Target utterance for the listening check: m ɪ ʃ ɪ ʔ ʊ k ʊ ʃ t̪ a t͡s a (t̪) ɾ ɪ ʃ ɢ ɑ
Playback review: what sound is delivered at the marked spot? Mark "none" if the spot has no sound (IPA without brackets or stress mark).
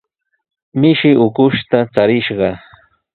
none